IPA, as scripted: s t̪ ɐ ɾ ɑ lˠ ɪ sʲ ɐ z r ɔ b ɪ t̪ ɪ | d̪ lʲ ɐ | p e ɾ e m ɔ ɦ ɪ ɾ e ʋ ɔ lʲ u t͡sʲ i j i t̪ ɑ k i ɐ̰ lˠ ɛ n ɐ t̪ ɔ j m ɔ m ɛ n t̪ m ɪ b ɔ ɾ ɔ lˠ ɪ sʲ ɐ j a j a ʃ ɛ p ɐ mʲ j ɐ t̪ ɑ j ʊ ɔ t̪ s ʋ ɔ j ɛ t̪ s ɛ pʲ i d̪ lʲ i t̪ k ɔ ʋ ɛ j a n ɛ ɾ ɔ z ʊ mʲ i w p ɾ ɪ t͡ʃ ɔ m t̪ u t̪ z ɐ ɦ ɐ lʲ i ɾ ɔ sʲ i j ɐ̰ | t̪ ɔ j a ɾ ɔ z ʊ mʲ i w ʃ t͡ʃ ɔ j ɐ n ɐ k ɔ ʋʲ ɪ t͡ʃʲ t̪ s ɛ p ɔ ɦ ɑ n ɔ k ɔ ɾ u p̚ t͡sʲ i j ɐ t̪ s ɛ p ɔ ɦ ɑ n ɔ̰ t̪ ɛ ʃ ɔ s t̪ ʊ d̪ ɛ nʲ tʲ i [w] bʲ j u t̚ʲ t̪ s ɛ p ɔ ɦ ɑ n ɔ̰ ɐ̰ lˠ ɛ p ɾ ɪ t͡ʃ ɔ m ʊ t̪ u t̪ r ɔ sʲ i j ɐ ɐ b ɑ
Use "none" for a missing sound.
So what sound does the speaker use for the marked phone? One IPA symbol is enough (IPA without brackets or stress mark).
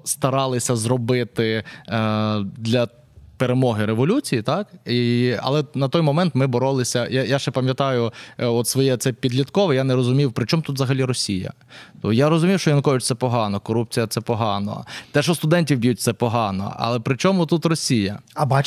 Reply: w